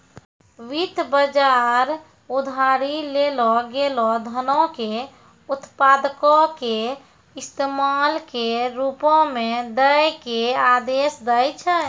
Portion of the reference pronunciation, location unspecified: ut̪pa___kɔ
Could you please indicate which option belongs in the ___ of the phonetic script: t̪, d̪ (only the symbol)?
d̪